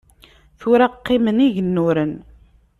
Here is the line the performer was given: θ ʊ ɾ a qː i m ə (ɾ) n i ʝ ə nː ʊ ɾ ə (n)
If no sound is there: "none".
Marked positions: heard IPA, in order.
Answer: none, n

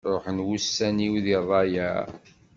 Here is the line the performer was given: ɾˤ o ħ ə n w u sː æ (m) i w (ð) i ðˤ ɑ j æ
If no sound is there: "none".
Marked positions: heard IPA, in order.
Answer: n, ð

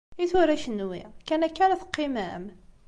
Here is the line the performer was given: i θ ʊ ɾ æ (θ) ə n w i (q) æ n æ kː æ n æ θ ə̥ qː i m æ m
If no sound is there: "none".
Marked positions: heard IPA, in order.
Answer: ʃ, k

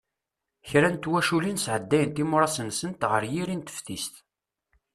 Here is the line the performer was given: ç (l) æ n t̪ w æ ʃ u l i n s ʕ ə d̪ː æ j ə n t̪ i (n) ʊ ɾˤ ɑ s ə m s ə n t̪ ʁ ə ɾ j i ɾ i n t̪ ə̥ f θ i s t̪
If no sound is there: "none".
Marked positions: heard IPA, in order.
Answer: ɾ, m

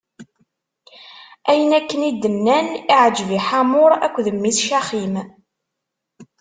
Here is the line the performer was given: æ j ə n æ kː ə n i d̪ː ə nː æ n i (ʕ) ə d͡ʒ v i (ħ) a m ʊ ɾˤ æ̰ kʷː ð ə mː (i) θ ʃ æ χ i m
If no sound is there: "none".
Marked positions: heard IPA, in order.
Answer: ʕ, ħ, i

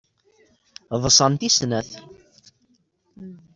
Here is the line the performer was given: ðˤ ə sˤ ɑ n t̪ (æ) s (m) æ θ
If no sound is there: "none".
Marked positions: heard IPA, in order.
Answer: i, n

